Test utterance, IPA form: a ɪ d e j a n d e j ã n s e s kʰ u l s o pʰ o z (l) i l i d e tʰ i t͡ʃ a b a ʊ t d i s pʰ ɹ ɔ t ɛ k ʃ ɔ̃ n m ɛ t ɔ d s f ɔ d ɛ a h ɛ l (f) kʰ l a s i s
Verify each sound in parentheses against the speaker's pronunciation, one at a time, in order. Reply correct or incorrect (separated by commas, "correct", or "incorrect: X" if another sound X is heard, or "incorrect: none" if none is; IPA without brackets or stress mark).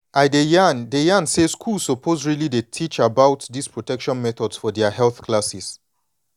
incorrect: ɹ, incorrect: θ